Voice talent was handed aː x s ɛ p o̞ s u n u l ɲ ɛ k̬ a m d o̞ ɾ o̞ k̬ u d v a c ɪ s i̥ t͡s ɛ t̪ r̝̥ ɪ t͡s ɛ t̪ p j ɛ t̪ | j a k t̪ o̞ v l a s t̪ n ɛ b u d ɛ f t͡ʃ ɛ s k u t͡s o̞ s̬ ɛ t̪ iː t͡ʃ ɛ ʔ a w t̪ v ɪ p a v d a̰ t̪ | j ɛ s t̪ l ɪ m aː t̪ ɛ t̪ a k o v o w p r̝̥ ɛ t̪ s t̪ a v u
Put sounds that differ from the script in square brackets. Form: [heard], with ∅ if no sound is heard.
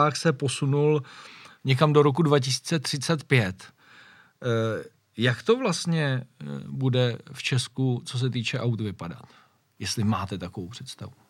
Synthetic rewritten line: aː x s ɛ p o̞ s u n u l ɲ ɛ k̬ a m d o̞ ɾ o̞ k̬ u d v a c ɪ s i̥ t͡s ɛ t̪ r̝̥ ɪ t͡s ɛ t̪ p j ɛ t̪ | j a k t̪ o̞ v l a s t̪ [ɲ] ɛ b u d ɛ f t͡ʃ ɛ s k u t͡s o̞ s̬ ɛ t̪ iː t͡ʃ ɛ ʔ a w t̪ v ɪ p a [∅] d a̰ t̪ | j ɛ s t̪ l ɪ m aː t̪ ɛ t̪ a k o v o w p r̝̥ ɛ t̪ s t̪ a v u